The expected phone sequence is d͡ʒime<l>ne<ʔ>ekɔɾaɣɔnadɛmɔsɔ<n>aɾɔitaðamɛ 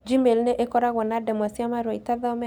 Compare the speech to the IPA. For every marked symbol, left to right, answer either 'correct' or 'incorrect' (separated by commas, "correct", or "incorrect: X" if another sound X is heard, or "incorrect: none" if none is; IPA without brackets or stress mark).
correct, correct, incorrect: m